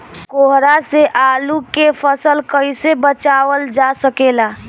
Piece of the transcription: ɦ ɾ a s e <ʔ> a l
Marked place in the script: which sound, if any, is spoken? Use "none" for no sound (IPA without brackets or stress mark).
ʔ